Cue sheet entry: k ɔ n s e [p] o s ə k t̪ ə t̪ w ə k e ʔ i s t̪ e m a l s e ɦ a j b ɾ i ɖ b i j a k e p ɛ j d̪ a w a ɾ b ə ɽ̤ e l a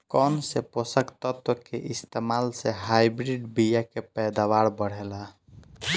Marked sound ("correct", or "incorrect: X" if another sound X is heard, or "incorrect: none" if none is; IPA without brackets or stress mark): correct